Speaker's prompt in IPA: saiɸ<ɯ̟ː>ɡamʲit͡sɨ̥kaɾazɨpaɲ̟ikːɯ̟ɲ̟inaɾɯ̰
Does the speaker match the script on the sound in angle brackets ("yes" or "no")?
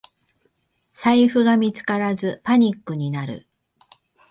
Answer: no